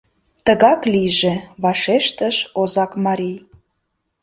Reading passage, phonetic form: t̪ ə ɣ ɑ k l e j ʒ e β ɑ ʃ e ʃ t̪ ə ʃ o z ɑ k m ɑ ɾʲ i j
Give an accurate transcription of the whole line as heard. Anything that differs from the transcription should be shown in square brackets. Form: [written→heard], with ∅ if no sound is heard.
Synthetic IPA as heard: t̪ ə ɣ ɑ k l [e→i] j ʒ e β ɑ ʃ e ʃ t̪ ə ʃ o z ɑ k m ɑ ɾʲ i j